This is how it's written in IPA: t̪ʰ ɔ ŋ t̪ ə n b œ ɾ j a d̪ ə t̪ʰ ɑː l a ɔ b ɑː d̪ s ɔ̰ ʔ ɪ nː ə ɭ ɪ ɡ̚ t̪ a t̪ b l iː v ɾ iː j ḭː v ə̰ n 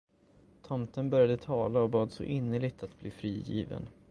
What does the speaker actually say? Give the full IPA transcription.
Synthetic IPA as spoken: t̪ʰ ɔ m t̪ ə n b œ ɾ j a d̪ ə t̪ʰ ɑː l a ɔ b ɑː d̪ s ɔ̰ ʔ ɪ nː ə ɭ ɪ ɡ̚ t̪ a t̪ b l iː f ɾ iː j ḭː v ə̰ n